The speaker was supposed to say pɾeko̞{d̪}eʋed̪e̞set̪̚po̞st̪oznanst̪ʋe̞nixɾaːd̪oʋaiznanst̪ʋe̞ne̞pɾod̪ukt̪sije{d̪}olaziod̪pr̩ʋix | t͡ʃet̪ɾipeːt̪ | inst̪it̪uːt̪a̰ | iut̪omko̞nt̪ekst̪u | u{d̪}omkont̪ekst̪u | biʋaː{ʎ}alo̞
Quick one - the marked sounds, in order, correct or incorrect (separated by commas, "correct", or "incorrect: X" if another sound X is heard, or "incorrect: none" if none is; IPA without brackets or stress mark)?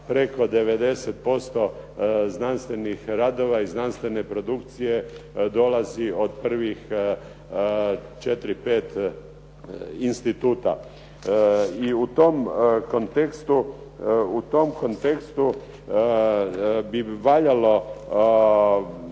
correct, correct, incorrect: t̪, correct